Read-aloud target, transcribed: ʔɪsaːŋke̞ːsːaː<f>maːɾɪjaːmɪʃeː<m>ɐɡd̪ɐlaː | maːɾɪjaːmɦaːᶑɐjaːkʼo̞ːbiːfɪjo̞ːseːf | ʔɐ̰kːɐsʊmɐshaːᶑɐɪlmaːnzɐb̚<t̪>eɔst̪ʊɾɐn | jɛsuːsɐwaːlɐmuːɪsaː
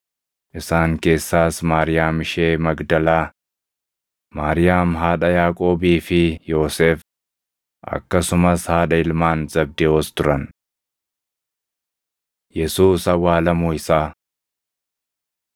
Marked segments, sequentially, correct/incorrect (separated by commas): incorrect, correct, incorrect